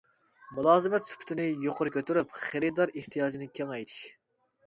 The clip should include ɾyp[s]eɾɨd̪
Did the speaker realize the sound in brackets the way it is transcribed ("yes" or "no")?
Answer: no